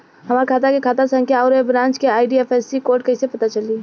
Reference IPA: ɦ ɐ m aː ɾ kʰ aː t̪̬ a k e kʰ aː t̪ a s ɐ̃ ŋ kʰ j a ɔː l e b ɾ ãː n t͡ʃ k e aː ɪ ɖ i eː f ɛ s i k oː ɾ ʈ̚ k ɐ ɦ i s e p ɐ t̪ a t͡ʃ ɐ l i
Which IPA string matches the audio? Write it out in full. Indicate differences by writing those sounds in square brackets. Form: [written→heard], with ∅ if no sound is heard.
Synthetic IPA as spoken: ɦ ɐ m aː ɾ kʰ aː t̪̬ a k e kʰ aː t̪ a s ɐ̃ ŋ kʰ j a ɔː [l→ɾ] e b ɾ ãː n t͡ʃ k e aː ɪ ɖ i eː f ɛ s i k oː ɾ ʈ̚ k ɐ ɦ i s e p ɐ t̪ a t͡ʃ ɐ l i